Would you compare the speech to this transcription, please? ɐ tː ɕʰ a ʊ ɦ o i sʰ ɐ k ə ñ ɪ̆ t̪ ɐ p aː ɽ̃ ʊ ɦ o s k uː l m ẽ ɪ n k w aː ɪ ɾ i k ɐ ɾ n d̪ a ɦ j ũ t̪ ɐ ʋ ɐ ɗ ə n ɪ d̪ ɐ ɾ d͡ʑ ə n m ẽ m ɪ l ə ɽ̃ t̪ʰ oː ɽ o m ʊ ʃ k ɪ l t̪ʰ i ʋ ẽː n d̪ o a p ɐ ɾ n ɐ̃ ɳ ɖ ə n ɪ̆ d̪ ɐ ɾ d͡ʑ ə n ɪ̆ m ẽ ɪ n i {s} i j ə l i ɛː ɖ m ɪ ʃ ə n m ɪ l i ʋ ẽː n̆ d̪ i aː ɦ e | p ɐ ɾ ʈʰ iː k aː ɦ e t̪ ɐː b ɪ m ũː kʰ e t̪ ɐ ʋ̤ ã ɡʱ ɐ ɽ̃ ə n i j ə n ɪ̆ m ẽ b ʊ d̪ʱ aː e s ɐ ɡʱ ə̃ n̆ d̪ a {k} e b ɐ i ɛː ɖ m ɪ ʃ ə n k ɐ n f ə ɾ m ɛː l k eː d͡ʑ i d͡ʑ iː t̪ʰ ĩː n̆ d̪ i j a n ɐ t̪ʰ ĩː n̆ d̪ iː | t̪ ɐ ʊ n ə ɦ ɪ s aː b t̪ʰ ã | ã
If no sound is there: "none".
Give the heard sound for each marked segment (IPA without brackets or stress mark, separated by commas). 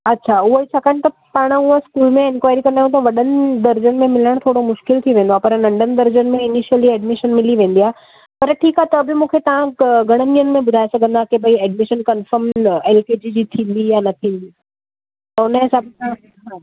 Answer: ʃ, k